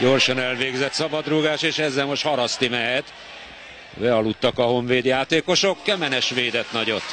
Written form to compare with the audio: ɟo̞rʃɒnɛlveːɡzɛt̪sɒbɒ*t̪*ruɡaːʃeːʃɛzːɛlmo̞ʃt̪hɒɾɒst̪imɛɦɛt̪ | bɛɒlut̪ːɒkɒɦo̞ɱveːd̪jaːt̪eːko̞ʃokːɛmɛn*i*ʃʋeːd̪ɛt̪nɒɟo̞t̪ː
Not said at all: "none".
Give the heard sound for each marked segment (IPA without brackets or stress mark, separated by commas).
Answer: d̪, ɛ